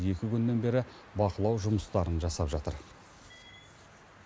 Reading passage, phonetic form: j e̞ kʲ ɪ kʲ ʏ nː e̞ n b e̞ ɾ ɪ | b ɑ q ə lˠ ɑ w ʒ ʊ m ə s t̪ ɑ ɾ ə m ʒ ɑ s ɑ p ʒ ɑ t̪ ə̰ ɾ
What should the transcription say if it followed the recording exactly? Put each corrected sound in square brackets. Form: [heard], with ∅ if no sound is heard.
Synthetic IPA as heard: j e̞ kʲ ɪ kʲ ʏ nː e̞ n b e̞ ɾ ɪ | b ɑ q ə lˠ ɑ w ʒ ʊ m ə s t̪ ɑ ɾ ə [n] ʒ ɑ s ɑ p ʒ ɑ t̪ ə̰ ɾ